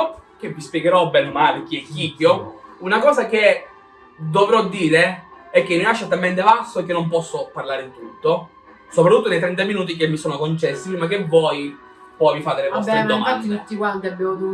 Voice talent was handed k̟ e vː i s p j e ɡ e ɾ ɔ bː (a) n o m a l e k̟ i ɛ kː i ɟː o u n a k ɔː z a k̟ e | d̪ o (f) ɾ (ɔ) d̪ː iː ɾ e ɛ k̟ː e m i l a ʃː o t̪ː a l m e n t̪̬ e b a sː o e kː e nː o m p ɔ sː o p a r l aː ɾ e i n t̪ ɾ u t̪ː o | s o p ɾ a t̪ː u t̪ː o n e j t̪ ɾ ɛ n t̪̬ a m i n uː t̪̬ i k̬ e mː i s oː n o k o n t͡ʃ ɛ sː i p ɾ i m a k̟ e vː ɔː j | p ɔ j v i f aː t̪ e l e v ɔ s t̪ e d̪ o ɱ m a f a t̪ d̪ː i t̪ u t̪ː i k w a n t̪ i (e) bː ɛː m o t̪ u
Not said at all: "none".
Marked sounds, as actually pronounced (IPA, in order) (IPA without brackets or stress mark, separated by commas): ɛ, v, ɔ, a